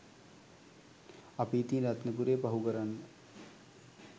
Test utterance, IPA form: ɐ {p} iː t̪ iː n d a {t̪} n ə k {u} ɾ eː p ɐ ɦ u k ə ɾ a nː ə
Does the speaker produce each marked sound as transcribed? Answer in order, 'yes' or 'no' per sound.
yes, yes, yes

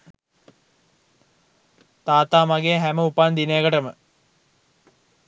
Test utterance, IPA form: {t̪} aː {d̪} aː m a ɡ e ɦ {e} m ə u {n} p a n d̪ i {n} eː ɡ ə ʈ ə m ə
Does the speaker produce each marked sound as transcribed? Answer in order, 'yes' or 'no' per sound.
yes, no, no, no, yes

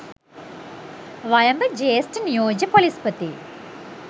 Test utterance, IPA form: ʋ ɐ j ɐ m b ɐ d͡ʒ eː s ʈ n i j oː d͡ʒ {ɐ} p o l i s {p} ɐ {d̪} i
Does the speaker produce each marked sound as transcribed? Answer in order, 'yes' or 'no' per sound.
yes, yes, no

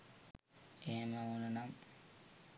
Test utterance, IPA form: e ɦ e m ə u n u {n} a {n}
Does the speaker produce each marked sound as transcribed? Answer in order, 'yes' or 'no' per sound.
yes, no

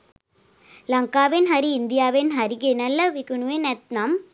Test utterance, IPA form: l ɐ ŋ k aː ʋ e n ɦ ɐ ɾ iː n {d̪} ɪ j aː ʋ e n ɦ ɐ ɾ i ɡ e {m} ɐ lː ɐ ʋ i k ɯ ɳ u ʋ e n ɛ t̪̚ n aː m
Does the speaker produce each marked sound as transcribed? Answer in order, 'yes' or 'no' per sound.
yes, no

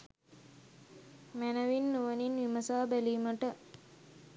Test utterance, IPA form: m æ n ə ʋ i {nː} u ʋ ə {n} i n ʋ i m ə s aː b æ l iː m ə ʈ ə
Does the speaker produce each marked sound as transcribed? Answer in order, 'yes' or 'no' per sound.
yes, yes

